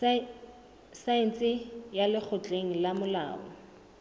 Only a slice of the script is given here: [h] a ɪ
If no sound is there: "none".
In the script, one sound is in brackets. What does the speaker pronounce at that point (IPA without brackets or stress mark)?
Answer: s